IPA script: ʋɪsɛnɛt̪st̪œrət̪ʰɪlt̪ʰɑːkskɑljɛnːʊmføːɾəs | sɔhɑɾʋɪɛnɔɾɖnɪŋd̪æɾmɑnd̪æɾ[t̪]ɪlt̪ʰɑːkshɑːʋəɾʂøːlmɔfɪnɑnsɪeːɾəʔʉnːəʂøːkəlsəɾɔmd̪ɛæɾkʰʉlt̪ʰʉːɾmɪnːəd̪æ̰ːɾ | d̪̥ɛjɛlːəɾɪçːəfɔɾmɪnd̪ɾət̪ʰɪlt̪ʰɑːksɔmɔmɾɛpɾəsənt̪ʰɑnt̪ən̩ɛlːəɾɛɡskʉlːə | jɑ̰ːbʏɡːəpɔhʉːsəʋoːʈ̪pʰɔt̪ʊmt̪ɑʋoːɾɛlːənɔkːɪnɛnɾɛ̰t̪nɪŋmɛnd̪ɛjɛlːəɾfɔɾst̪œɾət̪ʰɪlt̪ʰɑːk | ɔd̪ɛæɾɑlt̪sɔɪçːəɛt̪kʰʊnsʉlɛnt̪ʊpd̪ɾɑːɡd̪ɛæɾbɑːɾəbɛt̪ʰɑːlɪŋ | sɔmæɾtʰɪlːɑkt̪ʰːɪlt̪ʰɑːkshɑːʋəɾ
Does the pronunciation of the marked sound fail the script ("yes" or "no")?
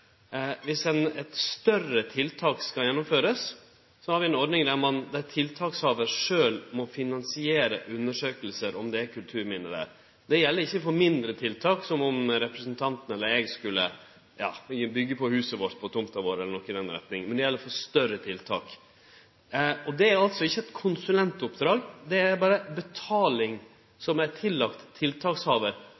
yes